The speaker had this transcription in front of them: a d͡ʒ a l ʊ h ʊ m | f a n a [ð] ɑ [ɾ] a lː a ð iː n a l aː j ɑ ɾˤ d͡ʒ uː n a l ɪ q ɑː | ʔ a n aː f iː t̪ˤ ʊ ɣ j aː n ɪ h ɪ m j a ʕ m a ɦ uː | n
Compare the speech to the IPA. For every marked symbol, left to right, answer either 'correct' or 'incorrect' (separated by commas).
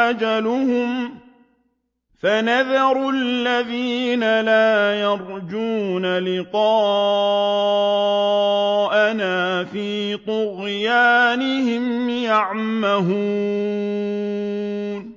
correct, correct